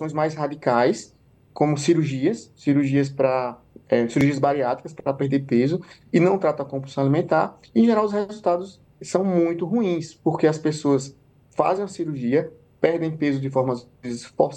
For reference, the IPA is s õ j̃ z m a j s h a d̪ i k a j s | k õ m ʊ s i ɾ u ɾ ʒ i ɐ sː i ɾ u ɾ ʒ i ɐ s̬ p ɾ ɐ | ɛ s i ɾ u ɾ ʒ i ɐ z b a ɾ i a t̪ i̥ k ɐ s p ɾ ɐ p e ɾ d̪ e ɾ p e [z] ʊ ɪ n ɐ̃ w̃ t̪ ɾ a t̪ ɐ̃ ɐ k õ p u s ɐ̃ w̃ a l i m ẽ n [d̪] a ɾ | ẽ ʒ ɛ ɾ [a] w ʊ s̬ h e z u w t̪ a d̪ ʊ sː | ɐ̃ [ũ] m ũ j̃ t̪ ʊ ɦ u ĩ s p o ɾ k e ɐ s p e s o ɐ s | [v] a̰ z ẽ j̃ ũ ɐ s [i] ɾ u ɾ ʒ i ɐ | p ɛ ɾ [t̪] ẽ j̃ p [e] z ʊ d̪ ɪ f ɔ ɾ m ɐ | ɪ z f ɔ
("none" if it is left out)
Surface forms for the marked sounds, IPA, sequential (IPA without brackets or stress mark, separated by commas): z, t̪, a, w̃, f, i, d̪, e